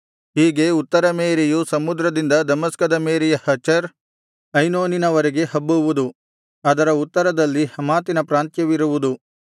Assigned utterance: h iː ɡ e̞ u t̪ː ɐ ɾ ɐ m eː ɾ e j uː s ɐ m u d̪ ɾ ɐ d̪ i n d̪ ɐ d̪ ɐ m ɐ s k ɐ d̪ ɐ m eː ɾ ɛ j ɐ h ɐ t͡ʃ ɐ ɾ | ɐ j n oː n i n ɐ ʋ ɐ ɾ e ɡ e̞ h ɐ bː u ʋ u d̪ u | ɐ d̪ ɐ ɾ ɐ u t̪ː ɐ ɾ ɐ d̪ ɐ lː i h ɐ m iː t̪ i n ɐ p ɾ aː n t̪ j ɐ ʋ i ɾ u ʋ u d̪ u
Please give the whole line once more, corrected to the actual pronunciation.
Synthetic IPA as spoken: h iː ɡ e̞ u t̪ː ɐ ɾ ɐ m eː ɾ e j u s ɐ m u d̪ ɾ ɐ d̪ i n d̪ ɐ d̪ ɐ m ɐ s k ɐ d̪ ɐ m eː ɾ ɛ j ɐ h ɐ t͡ʃ ɐ ɾ | ɐ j n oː n i n ɐ ʋ ɐ ɾ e ɡ e̞ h ɐ bː u ʋ u d̪ u | ɐ d̪ ɐ ɾ ɐ u t̪ː ɐ ɾ ɐ d̪ ɐ lː i h ɐ m aː t̪ i n ɐ p ɾ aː n t̪ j ɐ ʋ i ɾ u ʋ u d̪ u